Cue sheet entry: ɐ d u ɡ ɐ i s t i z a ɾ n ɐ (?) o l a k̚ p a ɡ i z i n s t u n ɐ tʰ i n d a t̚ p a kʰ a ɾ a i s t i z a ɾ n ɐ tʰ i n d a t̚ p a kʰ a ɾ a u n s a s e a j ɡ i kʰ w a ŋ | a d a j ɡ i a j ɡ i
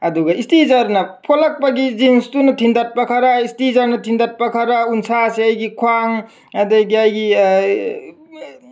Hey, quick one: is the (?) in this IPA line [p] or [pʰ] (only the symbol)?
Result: pʰ